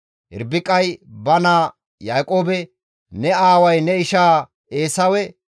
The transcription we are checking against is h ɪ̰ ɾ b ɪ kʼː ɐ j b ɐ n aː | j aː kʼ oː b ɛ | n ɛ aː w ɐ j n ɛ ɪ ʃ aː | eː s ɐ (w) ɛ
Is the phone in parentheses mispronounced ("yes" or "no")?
no